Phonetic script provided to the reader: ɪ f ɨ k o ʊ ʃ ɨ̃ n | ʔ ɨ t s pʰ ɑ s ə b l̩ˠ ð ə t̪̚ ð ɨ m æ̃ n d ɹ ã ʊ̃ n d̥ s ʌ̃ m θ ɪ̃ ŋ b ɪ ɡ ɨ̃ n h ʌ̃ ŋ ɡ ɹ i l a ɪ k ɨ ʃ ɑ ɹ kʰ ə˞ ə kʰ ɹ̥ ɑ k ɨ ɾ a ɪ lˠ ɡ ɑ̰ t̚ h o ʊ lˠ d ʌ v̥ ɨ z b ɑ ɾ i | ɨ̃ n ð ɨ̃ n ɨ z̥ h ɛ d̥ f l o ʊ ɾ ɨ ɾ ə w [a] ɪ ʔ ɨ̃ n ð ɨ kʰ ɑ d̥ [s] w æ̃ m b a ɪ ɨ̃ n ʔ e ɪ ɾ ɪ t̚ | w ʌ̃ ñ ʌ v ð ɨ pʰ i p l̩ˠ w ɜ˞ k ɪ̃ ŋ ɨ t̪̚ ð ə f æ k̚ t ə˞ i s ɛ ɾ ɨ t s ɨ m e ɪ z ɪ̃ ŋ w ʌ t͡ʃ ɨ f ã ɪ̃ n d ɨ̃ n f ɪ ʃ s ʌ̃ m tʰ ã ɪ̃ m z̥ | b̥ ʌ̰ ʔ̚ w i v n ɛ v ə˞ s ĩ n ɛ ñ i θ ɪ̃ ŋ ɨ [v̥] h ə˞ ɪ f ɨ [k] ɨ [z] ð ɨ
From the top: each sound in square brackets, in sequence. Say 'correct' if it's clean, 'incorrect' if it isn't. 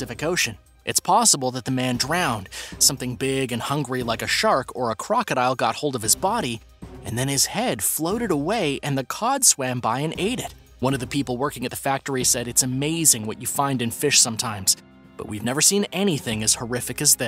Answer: incorrect: e, correct, incorrect: z̥, correct, correct

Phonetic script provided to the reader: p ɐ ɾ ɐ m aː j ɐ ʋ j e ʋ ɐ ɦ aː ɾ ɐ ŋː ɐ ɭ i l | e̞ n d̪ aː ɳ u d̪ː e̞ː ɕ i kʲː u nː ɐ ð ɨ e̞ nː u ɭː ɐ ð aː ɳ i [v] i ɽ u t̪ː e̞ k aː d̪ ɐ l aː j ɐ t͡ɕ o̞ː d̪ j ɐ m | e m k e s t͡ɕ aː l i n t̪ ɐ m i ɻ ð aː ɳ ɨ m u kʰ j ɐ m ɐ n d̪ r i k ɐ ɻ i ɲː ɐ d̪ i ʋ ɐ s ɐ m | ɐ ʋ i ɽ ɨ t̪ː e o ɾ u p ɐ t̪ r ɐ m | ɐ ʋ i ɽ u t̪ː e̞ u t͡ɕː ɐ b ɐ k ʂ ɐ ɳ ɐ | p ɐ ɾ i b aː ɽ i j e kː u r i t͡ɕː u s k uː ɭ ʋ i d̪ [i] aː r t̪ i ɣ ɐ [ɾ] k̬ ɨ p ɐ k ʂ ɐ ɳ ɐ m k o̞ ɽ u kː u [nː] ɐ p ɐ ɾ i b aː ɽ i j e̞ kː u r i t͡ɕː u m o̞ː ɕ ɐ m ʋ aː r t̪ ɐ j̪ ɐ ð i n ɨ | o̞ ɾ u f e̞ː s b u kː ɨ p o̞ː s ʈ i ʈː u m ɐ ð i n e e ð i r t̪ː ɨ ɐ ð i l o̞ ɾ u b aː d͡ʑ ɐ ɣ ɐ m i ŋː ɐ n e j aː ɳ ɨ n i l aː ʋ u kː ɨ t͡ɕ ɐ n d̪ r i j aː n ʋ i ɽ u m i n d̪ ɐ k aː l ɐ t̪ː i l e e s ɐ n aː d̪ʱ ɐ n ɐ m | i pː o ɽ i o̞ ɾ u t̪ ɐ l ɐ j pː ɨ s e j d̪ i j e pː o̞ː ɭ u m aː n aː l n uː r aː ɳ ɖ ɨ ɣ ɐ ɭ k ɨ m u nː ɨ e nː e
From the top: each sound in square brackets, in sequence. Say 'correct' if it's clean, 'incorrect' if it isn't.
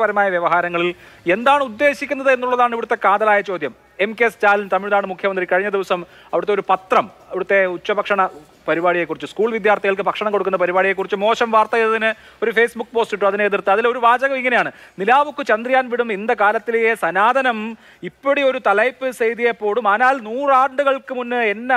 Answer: incorrect: ʋ, incorrect: j, incorrect: ɭ, correct

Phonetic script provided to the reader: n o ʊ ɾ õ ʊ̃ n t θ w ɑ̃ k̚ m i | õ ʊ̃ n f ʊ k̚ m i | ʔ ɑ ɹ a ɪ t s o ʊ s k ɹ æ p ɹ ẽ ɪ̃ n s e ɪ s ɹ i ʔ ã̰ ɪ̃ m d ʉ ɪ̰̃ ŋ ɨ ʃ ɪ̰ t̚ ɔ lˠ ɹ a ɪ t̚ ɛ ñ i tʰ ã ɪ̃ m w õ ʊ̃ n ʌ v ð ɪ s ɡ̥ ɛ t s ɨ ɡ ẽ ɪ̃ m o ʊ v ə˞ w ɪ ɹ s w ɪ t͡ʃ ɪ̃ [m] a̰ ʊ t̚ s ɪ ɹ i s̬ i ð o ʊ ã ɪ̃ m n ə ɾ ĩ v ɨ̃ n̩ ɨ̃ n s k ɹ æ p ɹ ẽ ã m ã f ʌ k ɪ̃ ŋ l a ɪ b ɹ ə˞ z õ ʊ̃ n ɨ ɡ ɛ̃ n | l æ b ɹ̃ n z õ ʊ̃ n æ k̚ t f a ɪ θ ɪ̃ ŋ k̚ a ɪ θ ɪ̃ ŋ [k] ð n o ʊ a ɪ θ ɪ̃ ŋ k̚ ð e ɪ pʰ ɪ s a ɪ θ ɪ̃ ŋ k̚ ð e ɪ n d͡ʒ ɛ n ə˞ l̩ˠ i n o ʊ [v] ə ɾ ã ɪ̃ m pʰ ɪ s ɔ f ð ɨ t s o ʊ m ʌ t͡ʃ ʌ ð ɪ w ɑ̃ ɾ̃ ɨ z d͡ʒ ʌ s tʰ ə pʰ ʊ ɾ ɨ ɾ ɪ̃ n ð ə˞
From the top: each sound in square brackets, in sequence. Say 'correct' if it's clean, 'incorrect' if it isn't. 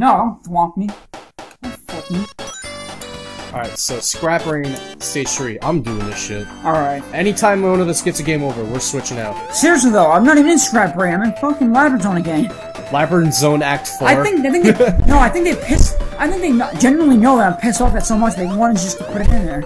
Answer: incorrect: ŋ, correct, incorrect: ð

